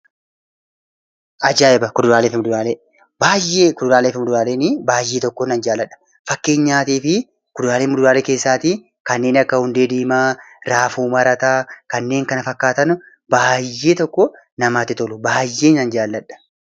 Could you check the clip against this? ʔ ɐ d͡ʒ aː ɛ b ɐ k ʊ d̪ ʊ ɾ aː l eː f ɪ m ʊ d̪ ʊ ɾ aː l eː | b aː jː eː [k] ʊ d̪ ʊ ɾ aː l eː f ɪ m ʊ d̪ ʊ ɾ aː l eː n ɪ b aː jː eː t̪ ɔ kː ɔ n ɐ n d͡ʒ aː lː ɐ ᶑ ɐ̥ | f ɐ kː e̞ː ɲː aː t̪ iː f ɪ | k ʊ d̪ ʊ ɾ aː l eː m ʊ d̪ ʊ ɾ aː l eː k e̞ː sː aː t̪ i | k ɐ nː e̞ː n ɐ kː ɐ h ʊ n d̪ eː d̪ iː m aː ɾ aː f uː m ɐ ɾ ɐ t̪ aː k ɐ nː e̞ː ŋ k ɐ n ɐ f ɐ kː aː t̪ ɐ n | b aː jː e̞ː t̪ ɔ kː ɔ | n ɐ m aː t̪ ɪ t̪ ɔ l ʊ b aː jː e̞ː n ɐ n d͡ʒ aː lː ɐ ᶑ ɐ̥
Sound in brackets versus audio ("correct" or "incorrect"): correct